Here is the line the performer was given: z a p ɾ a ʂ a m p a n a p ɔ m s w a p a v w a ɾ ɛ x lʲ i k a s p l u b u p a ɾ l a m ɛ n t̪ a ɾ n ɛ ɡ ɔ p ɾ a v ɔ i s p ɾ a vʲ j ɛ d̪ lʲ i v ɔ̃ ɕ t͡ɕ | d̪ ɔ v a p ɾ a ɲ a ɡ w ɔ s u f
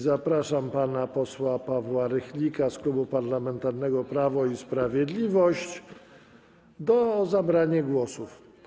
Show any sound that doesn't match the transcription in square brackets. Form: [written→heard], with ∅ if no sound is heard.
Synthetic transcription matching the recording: z a p ɾ a ʂ a m p a n a p ɔ [m→∅] s w a p a v w a ɾ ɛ x lʲ i k a s [p→k] l u b u p a ɾ l a m ɛ n t̪ a ɾ n ɛ ɡ ɔ p ɾ a v ɔ i s p ɾ a vʲ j ɛ d̪ lʲ i v [ɔ̃→ɔ] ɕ t͡ɕ | d̪ ɔ [v→z] a [p→b] ɾ a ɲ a ɡ w ɔ s u f